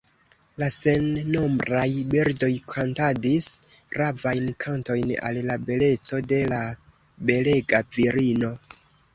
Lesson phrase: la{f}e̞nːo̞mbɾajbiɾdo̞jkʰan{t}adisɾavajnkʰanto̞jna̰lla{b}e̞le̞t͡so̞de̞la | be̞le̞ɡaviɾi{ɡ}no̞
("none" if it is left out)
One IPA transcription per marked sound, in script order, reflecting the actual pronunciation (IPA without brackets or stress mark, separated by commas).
s, t, b, none